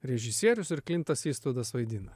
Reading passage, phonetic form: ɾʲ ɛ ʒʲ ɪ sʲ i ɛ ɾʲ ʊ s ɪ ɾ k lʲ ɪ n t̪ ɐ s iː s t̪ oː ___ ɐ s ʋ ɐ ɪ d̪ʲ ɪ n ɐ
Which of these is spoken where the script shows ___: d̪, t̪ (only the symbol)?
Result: d̪